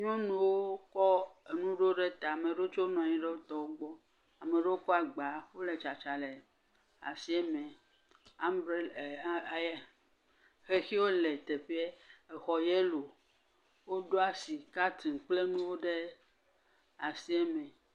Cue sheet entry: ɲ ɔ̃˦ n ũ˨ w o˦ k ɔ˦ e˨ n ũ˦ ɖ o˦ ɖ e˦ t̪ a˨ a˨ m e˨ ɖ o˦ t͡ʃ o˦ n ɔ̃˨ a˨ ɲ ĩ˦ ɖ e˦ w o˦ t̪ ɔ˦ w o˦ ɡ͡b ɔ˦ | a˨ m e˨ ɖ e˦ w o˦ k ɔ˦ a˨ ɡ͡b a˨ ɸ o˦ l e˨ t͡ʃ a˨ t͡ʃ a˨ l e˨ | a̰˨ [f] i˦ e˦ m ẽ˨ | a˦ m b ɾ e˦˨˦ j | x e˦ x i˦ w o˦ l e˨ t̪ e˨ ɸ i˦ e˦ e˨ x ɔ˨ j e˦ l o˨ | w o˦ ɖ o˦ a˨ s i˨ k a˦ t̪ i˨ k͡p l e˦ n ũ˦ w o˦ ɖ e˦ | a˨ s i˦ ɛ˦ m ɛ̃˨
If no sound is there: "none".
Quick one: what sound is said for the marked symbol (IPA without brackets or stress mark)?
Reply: s